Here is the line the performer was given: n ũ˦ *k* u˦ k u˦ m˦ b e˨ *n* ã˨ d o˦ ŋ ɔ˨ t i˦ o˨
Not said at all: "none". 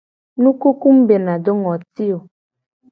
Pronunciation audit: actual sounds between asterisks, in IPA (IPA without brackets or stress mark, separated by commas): k, n